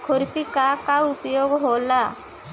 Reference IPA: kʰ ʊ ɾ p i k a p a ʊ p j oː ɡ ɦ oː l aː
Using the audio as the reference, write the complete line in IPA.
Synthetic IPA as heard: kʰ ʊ ɾ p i k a k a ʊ p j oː ɡ ɦ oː l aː